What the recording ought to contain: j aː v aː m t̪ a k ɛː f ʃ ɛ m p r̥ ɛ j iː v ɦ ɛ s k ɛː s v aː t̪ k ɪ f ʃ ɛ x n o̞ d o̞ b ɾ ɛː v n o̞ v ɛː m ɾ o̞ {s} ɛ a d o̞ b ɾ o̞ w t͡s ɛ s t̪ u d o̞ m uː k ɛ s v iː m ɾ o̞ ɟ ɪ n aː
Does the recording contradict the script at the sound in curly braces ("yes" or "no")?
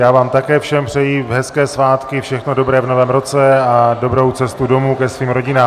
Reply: yes